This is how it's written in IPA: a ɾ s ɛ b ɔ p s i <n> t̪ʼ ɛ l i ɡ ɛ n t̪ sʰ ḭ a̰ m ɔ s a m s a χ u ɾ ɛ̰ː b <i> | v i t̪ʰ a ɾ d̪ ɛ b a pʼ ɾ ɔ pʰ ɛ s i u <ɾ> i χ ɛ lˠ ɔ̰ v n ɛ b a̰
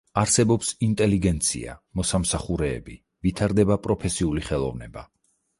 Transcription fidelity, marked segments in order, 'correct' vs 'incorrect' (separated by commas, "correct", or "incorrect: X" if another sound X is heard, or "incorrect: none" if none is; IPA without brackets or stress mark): correct, correct, incorrect: l